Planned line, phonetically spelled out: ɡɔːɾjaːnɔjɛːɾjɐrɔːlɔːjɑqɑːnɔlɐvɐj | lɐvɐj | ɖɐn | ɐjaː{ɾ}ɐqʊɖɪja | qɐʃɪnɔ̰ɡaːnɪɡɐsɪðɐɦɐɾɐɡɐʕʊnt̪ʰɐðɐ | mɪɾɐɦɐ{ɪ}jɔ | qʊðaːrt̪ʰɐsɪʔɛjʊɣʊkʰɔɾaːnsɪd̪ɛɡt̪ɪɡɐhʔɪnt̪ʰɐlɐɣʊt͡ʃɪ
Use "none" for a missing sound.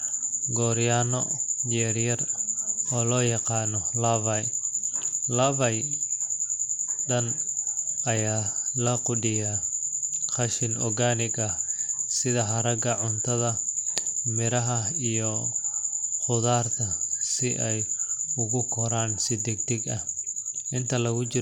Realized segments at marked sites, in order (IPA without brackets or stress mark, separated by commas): l, i